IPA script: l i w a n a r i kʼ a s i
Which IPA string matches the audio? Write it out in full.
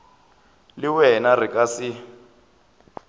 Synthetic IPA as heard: l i w ɛ n a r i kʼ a s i